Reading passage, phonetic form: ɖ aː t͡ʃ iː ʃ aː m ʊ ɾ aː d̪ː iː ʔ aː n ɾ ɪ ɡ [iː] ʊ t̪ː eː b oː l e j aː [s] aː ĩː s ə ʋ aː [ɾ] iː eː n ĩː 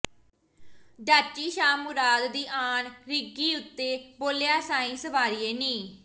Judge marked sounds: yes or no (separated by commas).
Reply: yes, yes, yes